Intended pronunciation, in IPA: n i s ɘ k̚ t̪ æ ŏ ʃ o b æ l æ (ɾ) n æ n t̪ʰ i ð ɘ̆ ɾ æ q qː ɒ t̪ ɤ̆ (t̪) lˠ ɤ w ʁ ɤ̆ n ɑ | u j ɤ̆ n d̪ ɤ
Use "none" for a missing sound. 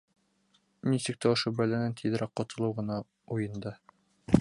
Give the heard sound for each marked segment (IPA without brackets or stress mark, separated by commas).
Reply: none, none